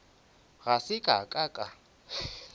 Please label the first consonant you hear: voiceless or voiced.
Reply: voiced